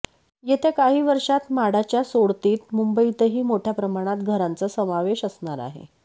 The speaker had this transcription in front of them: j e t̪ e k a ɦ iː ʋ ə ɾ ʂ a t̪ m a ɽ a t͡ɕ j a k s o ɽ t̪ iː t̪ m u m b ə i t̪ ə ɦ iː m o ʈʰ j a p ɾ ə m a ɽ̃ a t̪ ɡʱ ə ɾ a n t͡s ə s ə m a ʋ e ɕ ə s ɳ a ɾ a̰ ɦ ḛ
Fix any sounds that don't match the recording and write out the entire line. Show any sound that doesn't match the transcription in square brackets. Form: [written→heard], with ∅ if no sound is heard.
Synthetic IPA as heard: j e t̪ e k a ɦ iː ʋ ə ɾ ʂ a t̪ m a ɽ a t͡ɕ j a [k→∅] s o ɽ t̪ iː t̪ m u m b ə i t̪ ə ɦ iː m o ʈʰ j a p ɾ ə m a ɽ̃ a t̪ ɡʱ ə ɾ a n t͡s ə s ə m a ʋ e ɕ ə s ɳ a ɾ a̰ ɦ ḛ